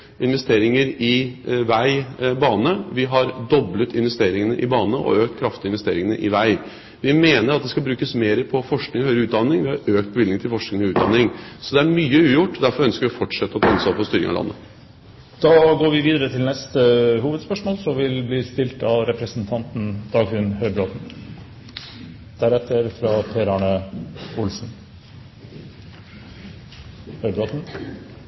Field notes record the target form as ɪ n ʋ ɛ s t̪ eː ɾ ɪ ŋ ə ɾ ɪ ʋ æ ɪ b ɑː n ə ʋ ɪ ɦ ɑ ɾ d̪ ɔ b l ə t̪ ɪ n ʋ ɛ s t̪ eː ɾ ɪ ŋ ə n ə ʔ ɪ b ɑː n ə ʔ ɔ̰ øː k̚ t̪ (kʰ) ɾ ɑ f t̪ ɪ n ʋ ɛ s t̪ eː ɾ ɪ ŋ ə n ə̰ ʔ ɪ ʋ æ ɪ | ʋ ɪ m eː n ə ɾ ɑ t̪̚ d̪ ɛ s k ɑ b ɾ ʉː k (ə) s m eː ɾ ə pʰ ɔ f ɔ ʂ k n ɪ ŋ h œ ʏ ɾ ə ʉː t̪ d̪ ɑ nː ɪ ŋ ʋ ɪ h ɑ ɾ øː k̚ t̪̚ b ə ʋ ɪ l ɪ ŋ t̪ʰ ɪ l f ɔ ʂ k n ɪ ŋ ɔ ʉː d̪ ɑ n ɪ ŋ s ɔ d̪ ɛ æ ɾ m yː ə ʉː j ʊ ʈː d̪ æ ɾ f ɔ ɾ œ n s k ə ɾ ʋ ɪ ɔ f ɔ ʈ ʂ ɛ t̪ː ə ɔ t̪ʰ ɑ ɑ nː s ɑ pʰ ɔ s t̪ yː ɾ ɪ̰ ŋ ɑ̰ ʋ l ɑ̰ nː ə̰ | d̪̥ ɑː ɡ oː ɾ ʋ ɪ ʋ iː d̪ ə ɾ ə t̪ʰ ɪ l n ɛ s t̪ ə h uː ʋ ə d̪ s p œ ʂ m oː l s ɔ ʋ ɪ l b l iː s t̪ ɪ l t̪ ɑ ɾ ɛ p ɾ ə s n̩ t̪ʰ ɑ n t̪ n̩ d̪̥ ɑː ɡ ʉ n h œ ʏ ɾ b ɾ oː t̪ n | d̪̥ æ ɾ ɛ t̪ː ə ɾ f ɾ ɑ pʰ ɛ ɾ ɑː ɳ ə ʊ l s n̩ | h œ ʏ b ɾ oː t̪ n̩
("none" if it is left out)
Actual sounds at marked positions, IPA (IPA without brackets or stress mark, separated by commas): kʰ, ə